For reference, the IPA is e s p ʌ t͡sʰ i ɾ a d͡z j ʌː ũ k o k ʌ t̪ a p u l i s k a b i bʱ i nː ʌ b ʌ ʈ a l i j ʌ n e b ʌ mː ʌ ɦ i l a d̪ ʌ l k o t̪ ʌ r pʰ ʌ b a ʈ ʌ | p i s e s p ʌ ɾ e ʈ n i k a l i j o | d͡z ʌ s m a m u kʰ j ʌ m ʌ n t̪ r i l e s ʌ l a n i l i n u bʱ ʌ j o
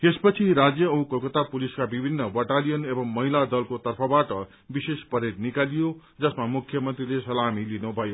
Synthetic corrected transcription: e s p ʌ t͡sʰ i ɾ a d͡z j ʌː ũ k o k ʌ t̪ a p u l i s k a b i bʱ i nː ʌ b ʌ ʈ a l i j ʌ n e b ʌ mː ʌ ɦ i l a d̪ ʌ l k o t̪ ʌ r pʰ ʌ b a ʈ ʌ | b i s e s p ʌ ɾ e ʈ n i k a l i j o | d͡z ʌ s m a m u kʰ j ʌ m ʌ n t̪ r i l e s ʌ l a m i l i n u bʱ ʌ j o